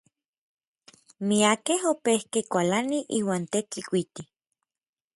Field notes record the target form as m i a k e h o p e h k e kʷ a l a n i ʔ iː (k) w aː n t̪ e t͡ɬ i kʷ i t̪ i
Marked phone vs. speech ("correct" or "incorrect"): incorrect